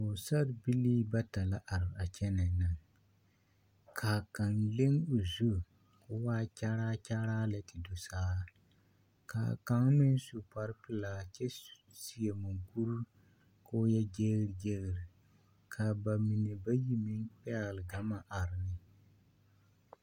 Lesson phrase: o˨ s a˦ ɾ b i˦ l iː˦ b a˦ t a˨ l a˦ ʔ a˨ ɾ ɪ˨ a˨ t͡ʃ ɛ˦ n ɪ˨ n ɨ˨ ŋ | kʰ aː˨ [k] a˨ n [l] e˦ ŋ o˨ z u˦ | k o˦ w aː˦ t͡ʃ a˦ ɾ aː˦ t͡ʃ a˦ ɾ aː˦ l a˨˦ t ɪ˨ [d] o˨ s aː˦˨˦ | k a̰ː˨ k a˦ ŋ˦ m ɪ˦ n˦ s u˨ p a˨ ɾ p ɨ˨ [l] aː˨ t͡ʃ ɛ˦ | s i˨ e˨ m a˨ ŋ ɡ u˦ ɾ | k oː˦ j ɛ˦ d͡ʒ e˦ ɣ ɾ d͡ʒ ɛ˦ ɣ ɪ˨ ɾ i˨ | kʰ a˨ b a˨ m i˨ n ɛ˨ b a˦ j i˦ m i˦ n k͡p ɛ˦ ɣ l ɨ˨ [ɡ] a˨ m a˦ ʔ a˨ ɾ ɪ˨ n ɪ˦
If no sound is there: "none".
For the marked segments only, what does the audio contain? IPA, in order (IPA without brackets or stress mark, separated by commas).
k, l, d, l, ɡ